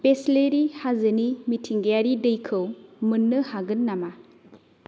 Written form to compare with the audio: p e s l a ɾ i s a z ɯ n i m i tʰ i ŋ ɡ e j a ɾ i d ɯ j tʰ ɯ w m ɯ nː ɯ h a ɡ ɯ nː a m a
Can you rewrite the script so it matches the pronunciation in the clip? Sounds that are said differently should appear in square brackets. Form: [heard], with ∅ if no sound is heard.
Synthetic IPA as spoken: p e s l [e] ɾ i [h] a z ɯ n i m i tʰ i ŋ ɡ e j a ɾ i d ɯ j [kʰ] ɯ w m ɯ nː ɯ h a ɡ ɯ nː a m a